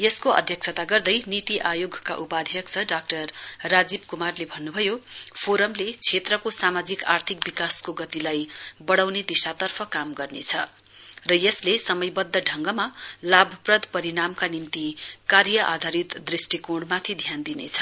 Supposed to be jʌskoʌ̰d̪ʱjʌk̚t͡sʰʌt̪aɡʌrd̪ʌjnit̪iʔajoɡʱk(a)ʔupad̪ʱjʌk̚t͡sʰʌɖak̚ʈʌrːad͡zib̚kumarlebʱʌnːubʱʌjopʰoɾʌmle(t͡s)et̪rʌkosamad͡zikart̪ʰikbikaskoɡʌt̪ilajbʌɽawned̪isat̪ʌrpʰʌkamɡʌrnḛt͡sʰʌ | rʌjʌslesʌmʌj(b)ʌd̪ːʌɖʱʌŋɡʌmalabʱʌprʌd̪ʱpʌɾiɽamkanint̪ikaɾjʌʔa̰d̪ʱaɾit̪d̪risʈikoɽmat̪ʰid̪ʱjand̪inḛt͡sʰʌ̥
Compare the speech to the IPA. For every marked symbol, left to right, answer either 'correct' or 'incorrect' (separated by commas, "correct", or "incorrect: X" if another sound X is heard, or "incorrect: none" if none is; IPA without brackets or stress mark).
correct, incorrect: t͡sʰ, correct